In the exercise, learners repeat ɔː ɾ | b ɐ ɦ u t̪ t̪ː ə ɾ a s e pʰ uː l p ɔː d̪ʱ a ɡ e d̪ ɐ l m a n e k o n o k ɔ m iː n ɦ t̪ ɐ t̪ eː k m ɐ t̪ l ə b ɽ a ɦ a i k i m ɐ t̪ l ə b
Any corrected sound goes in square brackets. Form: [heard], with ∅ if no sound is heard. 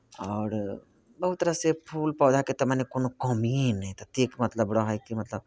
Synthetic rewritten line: ɔː ɾ | b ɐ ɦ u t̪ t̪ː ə ɾ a s e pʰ uː l p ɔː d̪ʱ a [k] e [t̪] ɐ [∅] m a n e k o n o k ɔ m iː n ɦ t̪ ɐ t̪ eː k m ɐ t̪ l ə b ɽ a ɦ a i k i m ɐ t̪ l ə b